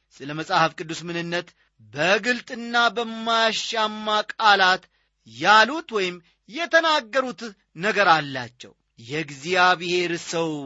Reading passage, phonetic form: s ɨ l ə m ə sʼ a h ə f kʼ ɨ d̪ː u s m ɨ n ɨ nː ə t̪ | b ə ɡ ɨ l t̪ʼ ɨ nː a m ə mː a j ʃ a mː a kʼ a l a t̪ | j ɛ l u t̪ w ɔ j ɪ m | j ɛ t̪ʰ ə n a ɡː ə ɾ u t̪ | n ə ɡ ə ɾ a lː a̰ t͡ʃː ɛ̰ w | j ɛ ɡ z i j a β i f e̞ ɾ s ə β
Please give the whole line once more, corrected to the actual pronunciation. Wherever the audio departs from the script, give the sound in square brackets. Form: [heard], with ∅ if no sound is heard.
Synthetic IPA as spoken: s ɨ l ə m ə sʼ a h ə f kʼ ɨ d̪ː u s m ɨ n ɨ nː ə t̪ | b ə ɡ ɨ l t̪ʼ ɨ nː a [b] ə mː a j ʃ a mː a kʼ a l a t̪ | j [a] l u t̪ w ɔ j ɪ m | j ɛ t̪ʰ ə n a ɡː ə ɾ u t̪ | n ə ɡ ə ɾ a lː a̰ t͡ʃː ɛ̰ w | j ɛ ɡ z i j a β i [h] e̞ ɾ s ə [w]